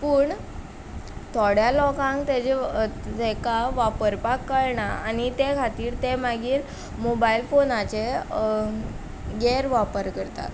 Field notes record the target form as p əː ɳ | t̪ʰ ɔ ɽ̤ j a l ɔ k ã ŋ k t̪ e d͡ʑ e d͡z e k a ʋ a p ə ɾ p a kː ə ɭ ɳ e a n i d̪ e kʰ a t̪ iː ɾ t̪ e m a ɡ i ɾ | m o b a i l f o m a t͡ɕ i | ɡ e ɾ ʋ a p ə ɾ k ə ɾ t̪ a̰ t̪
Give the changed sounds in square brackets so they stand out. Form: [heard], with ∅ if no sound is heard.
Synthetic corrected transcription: p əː ɳ | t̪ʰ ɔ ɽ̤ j a l ɔ k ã ŋ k t̪ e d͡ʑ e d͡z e k a ʋ a p ə ɾ p a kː ə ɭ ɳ [a] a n i [t̪] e kʰ a t̪ iː ɾ t̪ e m a ɡ [iː] ɾ | m o b a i l f o [n] a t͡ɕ [e] | ɡ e ɾ ʋ a p ə ɾ k ə ɾ t̪ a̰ t̪